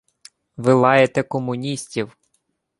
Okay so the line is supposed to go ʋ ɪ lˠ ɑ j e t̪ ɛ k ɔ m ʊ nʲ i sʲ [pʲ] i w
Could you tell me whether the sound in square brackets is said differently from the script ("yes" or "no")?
yes